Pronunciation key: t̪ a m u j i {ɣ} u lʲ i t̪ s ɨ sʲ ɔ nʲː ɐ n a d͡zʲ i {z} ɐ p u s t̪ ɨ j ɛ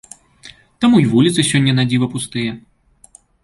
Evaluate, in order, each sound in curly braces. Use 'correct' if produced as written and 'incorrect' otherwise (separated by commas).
incorrect, incorrect